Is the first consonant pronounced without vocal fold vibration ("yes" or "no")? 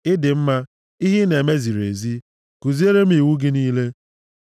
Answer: no